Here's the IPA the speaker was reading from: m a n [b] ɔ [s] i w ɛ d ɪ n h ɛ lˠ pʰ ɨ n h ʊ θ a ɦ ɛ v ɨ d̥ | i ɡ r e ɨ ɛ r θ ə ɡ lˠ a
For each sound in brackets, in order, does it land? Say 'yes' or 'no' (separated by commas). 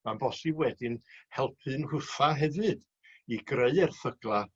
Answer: yes, yes